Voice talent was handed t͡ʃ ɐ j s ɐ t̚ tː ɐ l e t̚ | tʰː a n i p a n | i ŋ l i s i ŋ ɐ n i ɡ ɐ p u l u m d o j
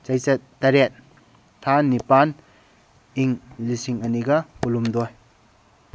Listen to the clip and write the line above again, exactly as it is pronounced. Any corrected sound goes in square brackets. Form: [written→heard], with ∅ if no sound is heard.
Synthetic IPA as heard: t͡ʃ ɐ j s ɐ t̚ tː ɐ [l→ɾ] e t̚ | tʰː a n i p a n | i ŋ l i s i ŋ ɐ n i ɡ ɐ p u l u m d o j